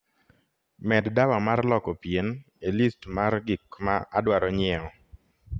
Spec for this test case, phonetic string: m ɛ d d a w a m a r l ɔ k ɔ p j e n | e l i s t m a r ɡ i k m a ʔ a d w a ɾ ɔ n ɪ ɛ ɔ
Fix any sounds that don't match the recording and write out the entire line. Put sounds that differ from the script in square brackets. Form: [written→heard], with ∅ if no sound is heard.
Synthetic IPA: m ɛ d d a w a m a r l ɔ k ɔ p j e n | e l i s t m a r ɡ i k m a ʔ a d w a ɾ ɔ [n→ɲ] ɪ ɛ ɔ